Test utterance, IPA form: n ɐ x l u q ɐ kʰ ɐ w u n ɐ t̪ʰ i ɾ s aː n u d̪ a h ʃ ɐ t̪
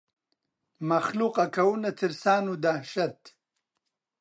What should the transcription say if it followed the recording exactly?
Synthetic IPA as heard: m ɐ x l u q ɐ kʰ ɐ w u n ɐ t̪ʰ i ɾ s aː n u d̪ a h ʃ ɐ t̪